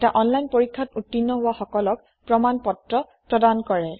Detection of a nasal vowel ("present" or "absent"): absent